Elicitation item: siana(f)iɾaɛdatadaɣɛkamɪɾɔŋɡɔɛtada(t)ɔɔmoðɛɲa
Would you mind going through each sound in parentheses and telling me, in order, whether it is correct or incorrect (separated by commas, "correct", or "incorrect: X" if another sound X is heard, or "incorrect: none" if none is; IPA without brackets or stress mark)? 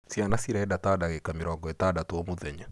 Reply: incorrect: s, correct